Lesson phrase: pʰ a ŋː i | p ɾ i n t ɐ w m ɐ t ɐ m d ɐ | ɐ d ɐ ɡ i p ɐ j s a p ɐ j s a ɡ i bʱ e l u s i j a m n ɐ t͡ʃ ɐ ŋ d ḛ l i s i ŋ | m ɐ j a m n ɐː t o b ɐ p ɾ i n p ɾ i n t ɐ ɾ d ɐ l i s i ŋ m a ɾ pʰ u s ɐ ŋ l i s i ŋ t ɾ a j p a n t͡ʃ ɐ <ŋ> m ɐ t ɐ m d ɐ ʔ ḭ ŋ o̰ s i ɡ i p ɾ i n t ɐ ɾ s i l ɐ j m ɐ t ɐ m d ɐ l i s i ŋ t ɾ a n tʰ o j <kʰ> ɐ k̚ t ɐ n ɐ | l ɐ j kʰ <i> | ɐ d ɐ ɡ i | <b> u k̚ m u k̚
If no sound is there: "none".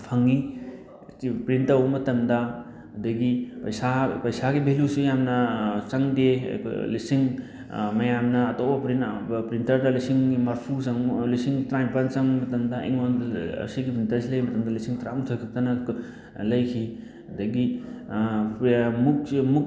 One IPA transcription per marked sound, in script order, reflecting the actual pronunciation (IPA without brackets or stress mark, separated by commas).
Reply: ŋ, kʰ, i, m